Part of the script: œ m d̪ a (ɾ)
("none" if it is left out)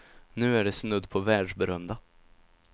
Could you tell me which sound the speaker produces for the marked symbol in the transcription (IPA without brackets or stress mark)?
none